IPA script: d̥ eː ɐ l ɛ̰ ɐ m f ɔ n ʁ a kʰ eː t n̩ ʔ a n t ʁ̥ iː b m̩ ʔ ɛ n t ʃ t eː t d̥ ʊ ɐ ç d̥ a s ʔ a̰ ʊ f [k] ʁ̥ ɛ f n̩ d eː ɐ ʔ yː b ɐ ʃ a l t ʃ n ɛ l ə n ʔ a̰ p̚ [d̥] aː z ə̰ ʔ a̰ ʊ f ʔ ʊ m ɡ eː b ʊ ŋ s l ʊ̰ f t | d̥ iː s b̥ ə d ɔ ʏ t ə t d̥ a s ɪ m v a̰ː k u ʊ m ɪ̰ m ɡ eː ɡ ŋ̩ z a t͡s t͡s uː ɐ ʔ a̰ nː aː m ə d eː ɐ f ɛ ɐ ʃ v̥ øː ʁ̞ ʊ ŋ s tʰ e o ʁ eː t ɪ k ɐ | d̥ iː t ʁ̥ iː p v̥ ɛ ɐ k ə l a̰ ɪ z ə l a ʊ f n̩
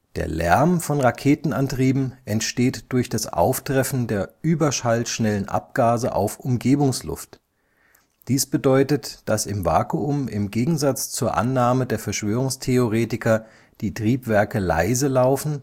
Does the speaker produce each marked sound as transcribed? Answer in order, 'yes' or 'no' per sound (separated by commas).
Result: no, no